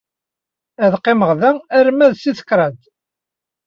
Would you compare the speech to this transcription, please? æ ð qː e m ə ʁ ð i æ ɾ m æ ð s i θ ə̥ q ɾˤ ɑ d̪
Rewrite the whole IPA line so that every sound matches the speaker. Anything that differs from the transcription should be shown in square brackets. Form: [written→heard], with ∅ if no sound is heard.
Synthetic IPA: æ ð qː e m ə ʁ ð [i→æ] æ ɾ m æ ð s i θ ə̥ [q→k] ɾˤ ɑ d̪